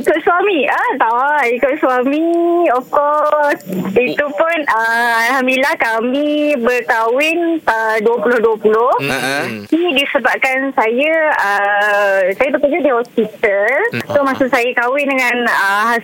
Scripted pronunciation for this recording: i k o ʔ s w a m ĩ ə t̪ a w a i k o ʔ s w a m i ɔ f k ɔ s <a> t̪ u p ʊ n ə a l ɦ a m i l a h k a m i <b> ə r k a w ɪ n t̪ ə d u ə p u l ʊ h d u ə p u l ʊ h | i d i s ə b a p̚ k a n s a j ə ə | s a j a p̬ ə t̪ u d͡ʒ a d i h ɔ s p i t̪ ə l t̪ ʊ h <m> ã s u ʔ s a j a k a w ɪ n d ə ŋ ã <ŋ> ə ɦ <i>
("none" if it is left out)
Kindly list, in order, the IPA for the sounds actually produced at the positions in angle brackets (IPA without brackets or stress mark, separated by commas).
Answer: i, b, m, n, a